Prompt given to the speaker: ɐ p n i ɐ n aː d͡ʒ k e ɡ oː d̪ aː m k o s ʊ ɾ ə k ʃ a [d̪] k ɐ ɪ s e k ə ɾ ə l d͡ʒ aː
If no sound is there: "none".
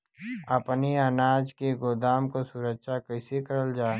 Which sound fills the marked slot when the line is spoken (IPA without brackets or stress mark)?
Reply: none